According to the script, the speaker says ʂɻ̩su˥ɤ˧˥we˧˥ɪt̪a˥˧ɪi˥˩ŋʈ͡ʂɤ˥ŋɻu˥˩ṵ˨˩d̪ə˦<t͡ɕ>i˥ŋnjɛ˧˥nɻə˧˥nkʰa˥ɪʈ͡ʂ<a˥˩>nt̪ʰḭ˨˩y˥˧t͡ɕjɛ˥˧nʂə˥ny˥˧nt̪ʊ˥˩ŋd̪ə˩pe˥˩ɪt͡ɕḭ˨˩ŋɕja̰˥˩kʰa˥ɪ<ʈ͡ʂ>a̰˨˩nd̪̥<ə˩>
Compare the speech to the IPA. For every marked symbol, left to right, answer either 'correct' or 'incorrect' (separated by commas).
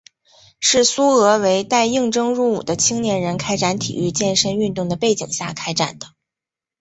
incorrect, incorrect, correct, incorrect